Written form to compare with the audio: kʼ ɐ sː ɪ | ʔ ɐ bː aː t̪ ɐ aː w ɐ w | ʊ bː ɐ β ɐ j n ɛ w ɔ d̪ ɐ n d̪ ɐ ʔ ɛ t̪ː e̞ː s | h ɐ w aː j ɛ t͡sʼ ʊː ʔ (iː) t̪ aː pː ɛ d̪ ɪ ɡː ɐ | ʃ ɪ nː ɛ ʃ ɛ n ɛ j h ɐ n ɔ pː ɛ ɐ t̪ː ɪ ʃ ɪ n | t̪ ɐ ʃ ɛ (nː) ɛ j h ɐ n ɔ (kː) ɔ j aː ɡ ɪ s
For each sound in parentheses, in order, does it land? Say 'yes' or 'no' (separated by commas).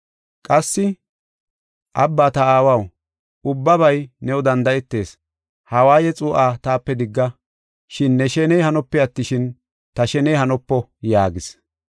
no, no, no